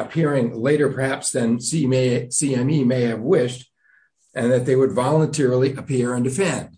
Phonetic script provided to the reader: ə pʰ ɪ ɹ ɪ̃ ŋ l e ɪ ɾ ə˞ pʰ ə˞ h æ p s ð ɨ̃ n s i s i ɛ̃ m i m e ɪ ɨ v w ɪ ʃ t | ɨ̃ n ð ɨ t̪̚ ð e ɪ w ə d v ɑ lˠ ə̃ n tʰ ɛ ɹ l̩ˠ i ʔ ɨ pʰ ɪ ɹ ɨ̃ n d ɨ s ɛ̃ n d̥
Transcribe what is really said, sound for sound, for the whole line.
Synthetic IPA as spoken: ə pʰ ɪ ɹ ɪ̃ ŋ l e ɪ ɾ ə˞ pʰ ə˞ h æ p s ð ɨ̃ n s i s i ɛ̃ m i m e ɪ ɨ v w ɪ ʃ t | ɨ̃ n ð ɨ t̪̚ ð e ɪ w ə d v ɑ lˠ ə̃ n tʰ ɛ ɹ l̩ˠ i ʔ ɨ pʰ ɪ ɹ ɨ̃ n d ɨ f ɛ̃ n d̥